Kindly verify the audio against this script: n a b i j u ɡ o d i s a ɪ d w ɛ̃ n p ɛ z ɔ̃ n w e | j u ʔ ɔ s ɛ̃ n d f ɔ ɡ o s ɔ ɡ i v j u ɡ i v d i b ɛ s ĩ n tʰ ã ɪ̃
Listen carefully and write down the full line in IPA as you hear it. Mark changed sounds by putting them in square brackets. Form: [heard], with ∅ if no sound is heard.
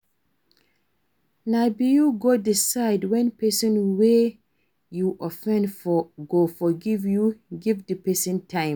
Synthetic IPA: n a b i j u ɡ o d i s a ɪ d w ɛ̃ n p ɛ [s] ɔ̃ n w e | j u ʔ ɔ [f] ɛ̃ n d f ɔ ɡ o [f] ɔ ɡ i v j u ɡ i v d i [p] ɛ s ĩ n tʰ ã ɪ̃